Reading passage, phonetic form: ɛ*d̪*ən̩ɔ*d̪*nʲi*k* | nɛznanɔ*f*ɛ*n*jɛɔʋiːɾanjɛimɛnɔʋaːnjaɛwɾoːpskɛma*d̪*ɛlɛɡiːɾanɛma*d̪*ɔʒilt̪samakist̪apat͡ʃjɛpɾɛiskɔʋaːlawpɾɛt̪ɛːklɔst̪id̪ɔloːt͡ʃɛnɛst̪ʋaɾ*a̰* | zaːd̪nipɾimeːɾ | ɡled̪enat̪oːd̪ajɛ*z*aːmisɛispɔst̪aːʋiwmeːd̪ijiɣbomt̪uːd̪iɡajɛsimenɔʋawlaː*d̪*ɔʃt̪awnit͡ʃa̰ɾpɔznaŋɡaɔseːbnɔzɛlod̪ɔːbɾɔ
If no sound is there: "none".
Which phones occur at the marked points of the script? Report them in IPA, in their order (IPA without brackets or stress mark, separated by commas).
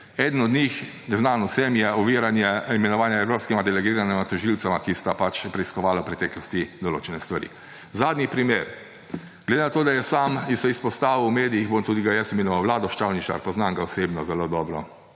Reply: d̪, d̪, x, s, m, d̪, t̪, ḭ, s, d̪